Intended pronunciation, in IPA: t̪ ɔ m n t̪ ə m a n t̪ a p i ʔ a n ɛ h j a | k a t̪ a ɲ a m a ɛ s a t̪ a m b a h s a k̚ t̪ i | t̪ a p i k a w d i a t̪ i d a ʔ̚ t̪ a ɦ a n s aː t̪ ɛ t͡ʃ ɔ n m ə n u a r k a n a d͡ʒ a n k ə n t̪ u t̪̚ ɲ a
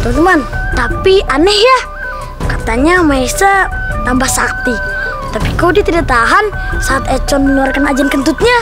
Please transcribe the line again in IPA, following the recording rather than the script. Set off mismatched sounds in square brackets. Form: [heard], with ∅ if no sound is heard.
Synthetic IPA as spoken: t̪ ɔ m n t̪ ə m a n t̪ a p i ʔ a n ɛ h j a | k a t̪ a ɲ a m a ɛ s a t̪ a m b a h s a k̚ t̪ i | t̪ a p i k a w d i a t̪ i d a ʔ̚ t̪ a ɦ a n s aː t̪ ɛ t͡ʃ ɔ n m ə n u a r k a n a d͡ʒ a n k ə n t̪ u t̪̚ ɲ a